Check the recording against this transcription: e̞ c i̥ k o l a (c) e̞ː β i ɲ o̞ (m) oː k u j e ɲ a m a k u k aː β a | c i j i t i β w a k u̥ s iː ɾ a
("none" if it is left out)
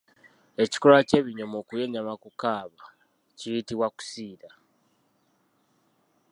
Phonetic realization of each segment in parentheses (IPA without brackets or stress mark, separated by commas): c, m